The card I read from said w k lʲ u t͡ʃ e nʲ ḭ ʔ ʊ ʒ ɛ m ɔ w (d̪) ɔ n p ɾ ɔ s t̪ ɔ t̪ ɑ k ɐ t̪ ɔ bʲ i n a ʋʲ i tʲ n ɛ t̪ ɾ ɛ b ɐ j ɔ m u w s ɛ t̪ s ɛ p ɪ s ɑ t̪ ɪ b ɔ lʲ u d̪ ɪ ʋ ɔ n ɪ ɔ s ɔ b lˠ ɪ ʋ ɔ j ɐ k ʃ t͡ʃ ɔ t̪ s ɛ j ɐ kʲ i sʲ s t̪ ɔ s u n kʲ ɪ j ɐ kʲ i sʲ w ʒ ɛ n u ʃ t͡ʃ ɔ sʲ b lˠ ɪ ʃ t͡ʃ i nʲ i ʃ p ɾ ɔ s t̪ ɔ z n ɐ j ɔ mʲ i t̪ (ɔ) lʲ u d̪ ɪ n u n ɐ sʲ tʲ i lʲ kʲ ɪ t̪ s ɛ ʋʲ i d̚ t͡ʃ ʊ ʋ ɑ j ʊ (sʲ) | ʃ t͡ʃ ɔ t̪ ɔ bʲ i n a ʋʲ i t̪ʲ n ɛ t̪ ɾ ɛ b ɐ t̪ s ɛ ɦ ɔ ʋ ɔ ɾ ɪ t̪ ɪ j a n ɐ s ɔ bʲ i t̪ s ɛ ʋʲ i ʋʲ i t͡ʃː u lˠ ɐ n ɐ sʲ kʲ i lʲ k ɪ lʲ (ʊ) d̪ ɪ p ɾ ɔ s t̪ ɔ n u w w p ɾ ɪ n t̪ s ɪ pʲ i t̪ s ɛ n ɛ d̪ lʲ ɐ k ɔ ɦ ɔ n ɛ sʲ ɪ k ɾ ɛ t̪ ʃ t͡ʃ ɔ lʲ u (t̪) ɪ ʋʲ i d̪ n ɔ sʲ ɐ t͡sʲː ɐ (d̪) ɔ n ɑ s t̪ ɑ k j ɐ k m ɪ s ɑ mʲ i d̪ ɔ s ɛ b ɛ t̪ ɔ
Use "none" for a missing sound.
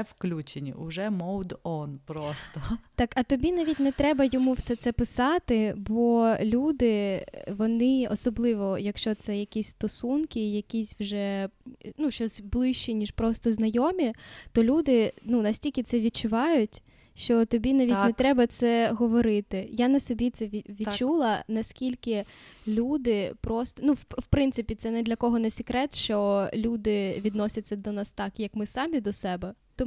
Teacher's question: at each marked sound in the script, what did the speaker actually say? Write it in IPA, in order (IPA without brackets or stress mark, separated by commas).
d̪, ɔ, tʲ, u, d̪, d̪